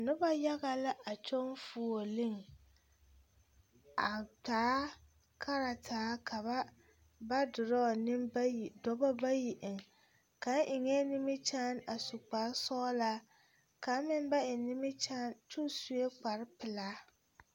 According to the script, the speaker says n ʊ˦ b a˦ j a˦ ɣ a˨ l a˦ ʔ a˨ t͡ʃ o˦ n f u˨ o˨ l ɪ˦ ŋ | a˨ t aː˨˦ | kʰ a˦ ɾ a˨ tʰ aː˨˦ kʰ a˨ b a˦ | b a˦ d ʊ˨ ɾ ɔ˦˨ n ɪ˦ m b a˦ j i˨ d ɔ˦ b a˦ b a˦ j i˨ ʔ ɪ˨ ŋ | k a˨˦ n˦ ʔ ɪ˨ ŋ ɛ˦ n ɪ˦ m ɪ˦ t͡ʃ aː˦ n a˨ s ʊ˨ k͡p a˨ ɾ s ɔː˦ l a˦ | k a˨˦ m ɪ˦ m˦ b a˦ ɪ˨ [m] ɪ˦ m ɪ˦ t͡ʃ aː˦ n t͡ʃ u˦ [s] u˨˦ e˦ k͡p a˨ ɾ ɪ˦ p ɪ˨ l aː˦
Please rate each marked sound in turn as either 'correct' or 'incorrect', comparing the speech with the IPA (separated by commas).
incorrect, correct